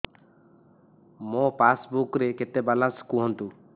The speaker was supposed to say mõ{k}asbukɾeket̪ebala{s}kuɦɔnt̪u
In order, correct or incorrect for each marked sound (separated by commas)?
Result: incorrect, correct